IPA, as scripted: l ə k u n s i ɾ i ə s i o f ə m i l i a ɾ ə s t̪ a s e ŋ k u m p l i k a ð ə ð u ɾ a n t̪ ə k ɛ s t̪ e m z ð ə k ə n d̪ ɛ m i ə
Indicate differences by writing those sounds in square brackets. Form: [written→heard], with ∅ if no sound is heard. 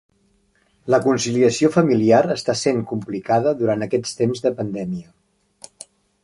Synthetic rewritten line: l ə k u n s i [ɾ→l] i ə s i o f ə m i l i a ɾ ə s t̪ a s e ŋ k u m p l i k a ð ə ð u ɾ a n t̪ ə k ɛ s t̪ e m z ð ə [k→p] ə n d̪ ɛ m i ə